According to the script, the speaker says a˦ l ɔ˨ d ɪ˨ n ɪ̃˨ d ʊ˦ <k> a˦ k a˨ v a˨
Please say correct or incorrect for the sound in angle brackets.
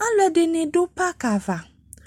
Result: incorrect